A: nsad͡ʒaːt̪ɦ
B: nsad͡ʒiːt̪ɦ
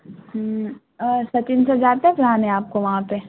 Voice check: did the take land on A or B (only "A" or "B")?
A